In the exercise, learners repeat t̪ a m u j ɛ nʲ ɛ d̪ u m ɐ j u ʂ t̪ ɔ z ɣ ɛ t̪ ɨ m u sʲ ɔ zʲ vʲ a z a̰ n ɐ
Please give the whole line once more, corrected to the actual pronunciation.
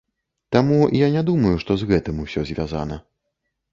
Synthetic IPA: t̪ a m u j a nʲ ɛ d̪ u m ɐ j u ʂ t̪ ɔ z ɣ ɛ t̪ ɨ m u sʲ ɔ zʲ vʲ a z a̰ n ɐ